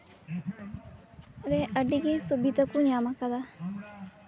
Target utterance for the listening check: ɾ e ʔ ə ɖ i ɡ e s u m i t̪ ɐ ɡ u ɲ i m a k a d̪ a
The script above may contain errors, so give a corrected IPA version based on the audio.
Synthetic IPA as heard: ɾ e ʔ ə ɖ i ɡ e s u b i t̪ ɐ k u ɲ a m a k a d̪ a